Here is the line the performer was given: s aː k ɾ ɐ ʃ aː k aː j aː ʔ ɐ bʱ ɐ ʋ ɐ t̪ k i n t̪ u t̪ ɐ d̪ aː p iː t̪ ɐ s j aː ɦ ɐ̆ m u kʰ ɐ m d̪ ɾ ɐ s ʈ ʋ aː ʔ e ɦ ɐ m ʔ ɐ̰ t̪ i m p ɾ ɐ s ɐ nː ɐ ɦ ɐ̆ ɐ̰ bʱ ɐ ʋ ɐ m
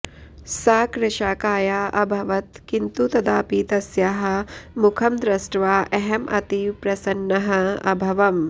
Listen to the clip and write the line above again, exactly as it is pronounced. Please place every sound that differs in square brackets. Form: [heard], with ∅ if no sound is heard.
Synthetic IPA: s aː k ɾ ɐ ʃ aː k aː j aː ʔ ɐ bʱ ɐ ʋ ɐ t̪ k i n t̪ u t̪ ɐ d̪ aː p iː t̪ ɐ s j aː ɦ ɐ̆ m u kʰ ɐ m d̪ ɾ ɐ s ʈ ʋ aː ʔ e ɦ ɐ m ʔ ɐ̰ t̪ i [∅] p ɾ ɐ s ɐ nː ɐ ɦ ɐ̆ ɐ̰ bʱ ɐ ʋ ɐ m